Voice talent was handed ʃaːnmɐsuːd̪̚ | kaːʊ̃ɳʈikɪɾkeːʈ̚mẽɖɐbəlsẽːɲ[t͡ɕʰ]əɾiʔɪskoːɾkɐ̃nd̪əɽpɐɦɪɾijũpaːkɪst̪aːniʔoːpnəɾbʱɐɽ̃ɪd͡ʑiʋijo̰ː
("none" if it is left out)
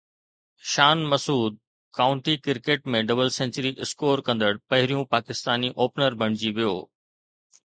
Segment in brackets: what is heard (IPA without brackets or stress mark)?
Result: t͡ɕ